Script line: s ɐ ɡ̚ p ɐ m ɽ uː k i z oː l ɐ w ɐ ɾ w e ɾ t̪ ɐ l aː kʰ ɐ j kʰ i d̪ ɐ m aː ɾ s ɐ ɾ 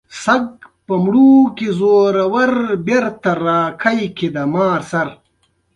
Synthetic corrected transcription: s ɐ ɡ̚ p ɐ m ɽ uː k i z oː ɾ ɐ w ɐ ɾ b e ɾ t̪ ɐ ɾ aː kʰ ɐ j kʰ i d̪ ɐ m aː ɾ s ɐ ɾ